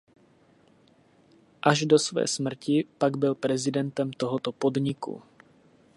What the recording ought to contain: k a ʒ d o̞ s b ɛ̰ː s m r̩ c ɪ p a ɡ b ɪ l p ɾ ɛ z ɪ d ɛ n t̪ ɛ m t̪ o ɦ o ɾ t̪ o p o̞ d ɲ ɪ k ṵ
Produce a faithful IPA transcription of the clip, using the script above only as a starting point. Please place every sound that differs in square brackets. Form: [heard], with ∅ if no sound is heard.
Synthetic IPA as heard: [ʔ] a ʒ d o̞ s [v] ɛ̰ː s m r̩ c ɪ p a ɡ b ɪ l p ɾ ɛ z ɪ d ɛ n t̪ ɛ m t̪ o ɦ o [∅] t̪ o p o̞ d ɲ ɪ k ṵ